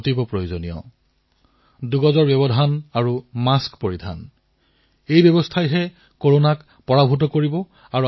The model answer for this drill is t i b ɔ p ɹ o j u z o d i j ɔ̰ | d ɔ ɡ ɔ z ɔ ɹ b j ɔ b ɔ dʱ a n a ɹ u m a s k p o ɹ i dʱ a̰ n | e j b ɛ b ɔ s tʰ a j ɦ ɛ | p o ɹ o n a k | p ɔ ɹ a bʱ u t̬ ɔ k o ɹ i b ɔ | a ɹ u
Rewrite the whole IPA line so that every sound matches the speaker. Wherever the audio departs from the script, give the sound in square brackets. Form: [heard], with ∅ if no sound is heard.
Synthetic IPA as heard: t i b ɔ p ɹ o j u z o [n] i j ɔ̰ | d [u] ɡ ɔ z ɔ ɹ b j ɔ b ɔ dʱ a n a ɹ u m a s k p o ɹ i dʱ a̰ n | e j b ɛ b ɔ s tʰ a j ɦ ɛ | [k] o ɹ o n a k | p ɔ ɹ a bʱ u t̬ ɔ k o ɹ i b ɔ | a ɹ u